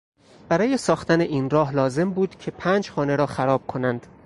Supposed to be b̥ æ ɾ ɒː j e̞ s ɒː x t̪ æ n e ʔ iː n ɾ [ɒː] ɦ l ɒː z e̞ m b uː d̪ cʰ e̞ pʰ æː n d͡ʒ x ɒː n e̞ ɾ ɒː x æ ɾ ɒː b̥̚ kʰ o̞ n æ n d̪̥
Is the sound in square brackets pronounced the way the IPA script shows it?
yes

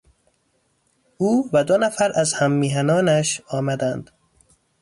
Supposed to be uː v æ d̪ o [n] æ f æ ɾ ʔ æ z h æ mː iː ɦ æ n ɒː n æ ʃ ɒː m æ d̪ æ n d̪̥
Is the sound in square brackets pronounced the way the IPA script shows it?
yes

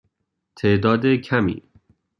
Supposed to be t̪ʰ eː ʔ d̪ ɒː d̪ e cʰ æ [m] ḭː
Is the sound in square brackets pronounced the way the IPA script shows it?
yes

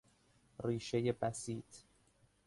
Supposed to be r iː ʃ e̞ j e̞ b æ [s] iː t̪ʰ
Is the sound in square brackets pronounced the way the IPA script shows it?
yes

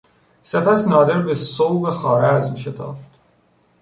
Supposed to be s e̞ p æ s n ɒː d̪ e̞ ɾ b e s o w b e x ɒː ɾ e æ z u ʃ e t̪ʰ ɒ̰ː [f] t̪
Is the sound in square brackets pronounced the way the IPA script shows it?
yes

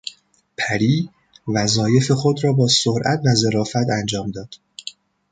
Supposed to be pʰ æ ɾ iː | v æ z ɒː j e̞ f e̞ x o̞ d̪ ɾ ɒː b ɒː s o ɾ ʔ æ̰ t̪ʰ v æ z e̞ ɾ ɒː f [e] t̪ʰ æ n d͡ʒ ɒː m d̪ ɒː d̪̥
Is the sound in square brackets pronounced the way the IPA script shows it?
no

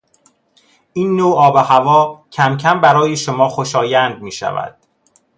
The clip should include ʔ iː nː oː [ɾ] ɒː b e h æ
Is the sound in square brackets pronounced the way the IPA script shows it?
no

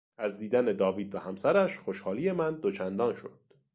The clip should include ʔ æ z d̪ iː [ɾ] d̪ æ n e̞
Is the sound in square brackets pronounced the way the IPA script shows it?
no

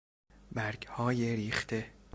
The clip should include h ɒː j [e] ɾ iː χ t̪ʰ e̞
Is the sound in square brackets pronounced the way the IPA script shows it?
yes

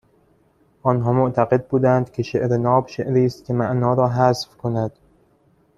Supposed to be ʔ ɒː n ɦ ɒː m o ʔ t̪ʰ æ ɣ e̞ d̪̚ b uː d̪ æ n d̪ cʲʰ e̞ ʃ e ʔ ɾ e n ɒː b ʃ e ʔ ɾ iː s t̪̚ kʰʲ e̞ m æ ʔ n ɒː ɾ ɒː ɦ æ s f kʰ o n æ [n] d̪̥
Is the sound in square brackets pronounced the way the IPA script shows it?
no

